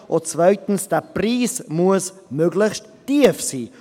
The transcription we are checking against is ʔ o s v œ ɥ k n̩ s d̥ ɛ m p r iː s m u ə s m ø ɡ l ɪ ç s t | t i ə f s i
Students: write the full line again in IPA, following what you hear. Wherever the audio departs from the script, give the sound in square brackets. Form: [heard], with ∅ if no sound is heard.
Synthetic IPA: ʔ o [t͡s] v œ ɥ [t] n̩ s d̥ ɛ [∅] p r iː s m u ə s m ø ɡ l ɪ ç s t | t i ə f s [iː]